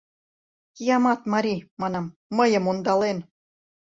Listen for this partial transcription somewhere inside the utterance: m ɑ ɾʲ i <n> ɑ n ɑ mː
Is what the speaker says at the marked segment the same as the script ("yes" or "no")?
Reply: no